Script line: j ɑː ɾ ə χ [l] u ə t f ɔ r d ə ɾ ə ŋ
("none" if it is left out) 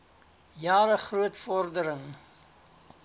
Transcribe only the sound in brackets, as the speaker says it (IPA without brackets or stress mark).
r